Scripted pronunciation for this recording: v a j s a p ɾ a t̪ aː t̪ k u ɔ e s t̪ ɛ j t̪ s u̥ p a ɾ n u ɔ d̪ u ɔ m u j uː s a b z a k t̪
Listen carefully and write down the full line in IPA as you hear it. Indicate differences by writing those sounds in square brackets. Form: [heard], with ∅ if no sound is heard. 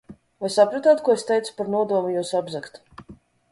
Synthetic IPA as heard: v a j s a p ɾ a t̪ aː t̪ k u ɔ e s t̪ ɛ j t̪ s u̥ p a ɾ n u ɔ d̪ u ɔ m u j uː s a b z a k t̪